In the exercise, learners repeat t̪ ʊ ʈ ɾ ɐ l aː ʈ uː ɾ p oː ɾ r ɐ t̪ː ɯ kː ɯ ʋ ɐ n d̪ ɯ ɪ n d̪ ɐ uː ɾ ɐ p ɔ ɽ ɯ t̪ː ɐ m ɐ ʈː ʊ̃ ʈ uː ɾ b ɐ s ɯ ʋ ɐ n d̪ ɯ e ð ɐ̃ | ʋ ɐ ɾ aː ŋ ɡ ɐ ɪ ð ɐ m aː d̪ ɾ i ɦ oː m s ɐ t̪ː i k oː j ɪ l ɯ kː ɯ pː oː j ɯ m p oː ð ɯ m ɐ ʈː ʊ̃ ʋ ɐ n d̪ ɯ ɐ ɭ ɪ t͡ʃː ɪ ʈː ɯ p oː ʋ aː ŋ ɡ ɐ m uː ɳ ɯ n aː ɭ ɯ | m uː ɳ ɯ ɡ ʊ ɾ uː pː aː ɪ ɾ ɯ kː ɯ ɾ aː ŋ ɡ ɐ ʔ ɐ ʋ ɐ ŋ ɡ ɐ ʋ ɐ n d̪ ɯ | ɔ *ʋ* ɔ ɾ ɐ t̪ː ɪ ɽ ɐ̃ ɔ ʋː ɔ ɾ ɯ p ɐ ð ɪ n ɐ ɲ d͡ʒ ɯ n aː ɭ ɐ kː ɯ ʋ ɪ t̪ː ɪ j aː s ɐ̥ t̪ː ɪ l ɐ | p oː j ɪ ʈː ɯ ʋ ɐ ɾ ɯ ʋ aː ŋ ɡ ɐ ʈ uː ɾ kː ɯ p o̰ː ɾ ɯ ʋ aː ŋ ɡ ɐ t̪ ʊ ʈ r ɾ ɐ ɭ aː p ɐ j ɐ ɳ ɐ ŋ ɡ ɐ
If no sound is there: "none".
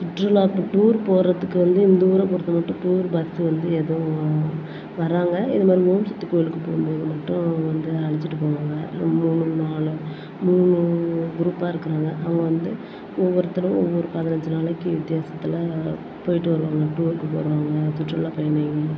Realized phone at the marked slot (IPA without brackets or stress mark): ʋː